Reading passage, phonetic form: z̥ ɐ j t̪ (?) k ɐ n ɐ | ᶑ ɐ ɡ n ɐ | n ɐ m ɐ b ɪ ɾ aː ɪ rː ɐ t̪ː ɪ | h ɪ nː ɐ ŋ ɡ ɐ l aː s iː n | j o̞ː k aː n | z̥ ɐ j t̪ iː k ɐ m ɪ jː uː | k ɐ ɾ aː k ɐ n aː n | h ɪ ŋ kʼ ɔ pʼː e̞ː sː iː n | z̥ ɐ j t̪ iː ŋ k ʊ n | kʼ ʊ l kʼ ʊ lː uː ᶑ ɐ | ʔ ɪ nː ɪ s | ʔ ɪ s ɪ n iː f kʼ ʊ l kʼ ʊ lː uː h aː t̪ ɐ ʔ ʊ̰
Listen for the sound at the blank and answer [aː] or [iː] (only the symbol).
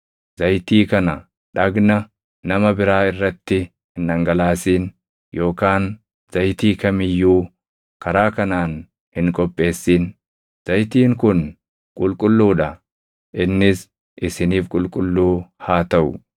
iː